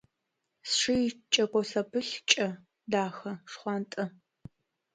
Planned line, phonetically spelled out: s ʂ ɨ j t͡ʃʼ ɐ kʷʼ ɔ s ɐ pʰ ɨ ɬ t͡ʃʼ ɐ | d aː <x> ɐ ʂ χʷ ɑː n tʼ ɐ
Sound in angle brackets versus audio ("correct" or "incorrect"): correct